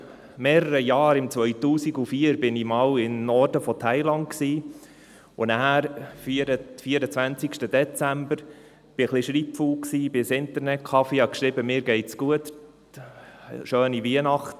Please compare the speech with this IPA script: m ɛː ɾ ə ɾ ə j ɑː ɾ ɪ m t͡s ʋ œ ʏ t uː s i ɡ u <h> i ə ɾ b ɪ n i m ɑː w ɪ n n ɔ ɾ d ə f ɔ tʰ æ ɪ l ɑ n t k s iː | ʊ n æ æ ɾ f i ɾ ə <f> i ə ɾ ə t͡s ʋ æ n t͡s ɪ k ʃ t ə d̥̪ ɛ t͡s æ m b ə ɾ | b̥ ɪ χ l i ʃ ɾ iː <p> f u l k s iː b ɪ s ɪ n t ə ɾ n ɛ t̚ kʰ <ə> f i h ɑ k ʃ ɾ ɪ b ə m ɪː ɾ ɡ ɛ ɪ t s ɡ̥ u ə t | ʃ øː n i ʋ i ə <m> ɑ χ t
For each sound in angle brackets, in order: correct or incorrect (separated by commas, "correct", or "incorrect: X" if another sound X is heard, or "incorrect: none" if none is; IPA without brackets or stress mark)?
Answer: incorrect: f, correct, correct, incorrect: ɑ, incorrect: n